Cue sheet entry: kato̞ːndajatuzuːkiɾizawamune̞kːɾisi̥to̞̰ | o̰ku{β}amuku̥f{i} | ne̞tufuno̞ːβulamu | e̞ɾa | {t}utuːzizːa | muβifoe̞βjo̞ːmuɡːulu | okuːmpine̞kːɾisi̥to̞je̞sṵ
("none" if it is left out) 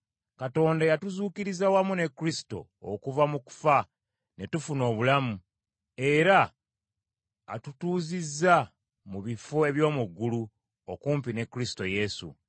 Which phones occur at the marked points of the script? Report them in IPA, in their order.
v, a, t

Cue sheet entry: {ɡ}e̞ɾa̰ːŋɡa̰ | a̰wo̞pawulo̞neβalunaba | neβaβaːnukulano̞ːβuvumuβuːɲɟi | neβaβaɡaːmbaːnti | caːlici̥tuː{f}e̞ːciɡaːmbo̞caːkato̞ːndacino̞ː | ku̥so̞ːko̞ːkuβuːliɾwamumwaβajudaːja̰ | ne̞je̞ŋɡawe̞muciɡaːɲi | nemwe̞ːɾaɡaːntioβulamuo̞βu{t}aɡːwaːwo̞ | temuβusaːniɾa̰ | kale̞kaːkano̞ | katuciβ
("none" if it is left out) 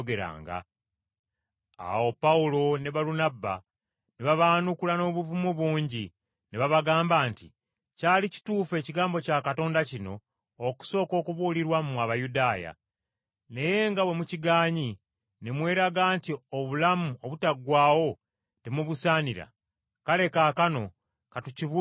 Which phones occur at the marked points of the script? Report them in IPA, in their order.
ɡ, f, t

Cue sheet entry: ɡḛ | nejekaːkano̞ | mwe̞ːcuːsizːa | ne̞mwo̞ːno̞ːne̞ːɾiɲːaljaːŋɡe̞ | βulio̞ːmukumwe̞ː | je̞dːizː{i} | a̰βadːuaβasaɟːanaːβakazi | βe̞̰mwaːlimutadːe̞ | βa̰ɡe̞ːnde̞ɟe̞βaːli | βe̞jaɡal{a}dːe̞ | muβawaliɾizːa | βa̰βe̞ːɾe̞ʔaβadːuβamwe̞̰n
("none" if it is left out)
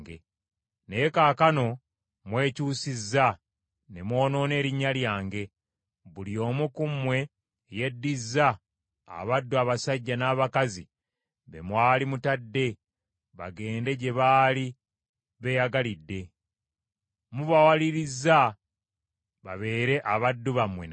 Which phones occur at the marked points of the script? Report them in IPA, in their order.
a, i

